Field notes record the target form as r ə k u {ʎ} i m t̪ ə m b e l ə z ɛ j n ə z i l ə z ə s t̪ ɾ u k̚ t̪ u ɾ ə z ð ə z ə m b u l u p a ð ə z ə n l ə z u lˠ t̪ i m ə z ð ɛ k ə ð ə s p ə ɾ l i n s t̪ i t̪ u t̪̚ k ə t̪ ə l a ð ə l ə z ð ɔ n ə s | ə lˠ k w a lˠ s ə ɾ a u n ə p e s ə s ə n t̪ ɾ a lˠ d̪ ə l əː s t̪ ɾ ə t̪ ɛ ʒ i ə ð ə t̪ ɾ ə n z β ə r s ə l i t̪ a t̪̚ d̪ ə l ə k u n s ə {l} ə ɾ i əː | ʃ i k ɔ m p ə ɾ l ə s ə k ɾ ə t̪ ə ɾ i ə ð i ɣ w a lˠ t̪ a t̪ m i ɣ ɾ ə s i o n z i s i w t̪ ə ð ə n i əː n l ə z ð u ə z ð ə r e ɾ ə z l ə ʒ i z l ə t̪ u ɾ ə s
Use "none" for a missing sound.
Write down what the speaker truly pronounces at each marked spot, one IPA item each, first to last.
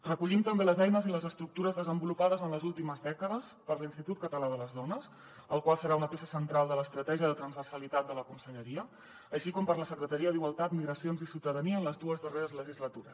ʎ, ʎ

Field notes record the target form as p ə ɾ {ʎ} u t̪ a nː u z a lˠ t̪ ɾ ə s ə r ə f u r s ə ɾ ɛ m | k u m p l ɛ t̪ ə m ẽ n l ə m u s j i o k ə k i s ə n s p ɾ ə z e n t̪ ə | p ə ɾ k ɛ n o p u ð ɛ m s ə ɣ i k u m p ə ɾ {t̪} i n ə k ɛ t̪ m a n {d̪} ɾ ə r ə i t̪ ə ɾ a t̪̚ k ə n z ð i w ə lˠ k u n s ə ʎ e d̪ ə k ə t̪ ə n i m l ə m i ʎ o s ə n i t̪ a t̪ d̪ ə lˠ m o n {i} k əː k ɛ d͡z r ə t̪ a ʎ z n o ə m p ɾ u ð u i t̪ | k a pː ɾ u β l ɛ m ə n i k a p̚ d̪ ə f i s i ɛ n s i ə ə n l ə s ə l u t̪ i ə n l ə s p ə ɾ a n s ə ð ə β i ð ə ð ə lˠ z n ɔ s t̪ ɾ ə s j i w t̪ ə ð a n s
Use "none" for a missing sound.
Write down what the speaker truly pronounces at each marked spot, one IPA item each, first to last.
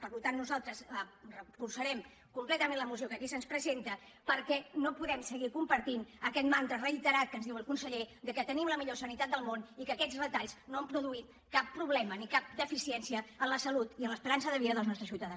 l, t̪, t̪, i

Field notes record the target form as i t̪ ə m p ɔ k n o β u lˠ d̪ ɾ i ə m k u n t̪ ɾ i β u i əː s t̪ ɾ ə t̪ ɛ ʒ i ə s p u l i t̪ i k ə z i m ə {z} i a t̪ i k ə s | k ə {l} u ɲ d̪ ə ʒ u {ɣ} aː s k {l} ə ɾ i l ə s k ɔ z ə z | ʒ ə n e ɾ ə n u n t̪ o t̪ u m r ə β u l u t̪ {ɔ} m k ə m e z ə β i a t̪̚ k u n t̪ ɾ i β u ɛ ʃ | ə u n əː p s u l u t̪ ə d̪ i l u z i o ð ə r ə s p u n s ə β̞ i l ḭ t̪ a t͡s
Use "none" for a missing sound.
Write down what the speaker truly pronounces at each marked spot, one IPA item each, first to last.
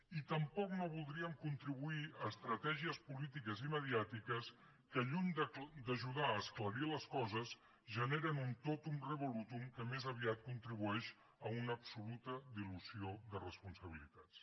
ð, ʎ, ð, l, u

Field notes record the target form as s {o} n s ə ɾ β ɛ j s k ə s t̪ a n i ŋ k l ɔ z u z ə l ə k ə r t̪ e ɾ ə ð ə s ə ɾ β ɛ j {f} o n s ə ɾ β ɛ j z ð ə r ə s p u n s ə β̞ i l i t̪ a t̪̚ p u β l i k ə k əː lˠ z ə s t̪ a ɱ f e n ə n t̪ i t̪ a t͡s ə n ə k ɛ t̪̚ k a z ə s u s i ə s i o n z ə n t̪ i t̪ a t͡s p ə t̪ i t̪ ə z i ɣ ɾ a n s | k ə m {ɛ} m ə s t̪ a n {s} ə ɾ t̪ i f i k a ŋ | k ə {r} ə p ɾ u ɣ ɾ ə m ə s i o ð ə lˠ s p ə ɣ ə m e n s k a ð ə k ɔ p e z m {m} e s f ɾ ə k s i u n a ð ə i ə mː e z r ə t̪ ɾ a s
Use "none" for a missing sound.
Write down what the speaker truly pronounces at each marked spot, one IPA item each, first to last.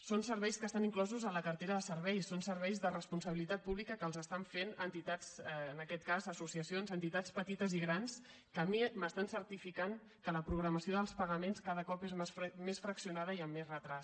o, s, i, s, l, m

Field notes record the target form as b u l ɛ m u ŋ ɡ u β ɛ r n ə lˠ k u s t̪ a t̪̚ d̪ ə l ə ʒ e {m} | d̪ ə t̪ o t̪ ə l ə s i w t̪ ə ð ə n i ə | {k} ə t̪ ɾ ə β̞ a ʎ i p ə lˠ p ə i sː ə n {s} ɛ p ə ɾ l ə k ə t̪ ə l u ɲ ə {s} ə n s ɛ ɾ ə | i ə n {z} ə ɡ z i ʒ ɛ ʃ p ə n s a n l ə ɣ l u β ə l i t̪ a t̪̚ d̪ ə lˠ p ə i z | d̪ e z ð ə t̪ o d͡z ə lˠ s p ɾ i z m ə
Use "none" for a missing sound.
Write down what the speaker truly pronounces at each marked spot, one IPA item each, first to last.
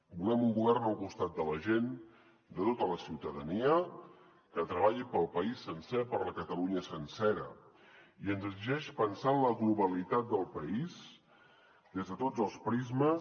n, k, s, s, z

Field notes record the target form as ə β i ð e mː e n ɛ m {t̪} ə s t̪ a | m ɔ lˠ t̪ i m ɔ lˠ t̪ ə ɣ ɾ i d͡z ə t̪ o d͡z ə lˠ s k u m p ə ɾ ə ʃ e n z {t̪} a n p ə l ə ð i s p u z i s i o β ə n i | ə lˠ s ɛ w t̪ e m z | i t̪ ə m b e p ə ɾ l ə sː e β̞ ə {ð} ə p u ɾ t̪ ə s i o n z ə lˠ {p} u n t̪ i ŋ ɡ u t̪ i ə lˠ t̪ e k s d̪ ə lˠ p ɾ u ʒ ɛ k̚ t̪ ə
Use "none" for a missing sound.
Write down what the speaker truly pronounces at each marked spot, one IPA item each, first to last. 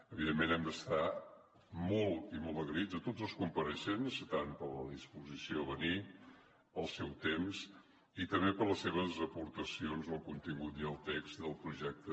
d̪, t̪, z, k

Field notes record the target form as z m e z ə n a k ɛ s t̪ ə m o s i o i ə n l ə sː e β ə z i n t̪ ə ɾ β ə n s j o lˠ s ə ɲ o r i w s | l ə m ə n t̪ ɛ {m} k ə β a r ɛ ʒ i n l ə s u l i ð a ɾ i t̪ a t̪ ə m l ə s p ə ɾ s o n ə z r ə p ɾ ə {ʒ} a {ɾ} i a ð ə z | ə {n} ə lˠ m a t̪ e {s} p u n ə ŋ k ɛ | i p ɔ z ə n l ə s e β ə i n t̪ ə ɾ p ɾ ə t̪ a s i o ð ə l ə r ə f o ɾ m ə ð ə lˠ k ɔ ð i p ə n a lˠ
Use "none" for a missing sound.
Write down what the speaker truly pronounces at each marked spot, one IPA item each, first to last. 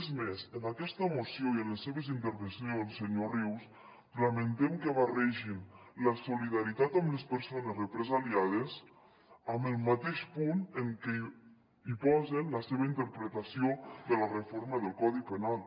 m, z, l, m, ʃ

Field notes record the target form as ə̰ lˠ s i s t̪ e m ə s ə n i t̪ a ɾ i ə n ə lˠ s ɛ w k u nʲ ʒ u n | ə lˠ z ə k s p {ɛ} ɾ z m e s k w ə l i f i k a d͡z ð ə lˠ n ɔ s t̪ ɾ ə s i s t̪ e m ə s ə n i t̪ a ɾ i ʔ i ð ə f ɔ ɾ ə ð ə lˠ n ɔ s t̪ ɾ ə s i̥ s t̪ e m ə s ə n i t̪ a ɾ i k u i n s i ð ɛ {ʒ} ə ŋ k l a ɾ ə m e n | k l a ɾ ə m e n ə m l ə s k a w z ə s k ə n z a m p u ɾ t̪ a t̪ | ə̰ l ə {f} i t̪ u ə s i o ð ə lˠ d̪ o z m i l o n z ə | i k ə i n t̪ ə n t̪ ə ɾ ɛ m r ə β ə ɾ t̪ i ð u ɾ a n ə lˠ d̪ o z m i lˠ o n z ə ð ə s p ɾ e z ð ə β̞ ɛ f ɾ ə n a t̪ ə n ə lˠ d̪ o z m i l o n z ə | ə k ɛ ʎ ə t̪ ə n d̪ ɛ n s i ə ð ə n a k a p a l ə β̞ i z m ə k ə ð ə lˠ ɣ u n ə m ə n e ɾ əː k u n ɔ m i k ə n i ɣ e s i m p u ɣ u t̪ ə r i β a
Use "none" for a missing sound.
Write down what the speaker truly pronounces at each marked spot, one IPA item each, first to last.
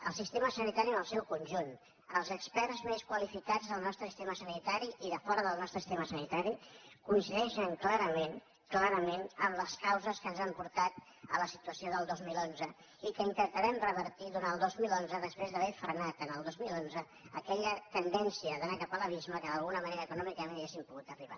ɛ, ʃ, s

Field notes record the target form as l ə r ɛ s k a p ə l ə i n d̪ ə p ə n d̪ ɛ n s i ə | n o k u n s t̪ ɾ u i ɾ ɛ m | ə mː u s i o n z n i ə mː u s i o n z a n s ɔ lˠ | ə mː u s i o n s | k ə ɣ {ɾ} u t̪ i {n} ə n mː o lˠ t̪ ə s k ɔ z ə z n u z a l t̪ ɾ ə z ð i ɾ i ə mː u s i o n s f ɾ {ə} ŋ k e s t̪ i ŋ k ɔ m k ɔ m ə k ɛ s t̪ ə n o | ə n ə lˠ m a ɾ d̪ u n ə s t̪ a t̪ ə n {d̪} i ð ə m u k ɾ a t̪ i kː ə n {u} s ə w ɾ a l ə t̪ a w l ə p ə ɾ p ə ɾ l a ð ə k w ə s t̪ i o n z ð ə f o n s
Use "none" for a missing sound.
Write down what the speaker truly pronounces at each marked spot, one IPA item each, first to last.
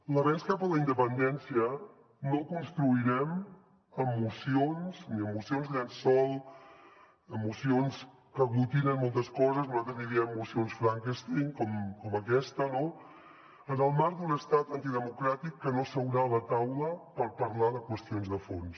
l, n, a, t̪, o

